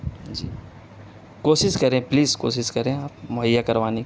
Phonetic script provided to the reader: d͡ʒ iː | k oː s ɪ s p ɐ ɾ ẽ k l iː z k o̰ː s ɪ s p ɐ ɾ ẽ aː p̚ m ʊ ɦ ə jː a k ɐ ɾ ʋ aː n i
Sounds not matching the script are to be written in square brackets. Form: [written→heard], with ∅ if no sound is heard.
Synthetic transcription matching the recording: d͡ʒ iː | k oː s ɪ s [p→k] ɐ ɾ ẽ [k→p] l iː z k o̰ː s ɪ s [p→k] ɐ ɾ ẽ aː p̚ m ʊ ɦ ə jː a k ɐ ɾ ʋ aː n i